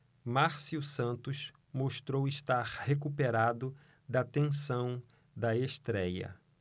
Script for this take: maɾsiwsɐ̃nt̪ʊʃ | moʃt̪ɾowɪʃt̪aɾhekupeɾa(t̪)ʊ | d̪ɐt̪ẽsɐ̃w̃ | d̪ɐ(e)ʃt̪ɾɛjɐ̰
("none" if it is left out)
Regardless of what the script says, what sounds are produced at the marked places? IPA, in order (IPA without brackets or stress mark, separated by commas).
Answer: d̪, e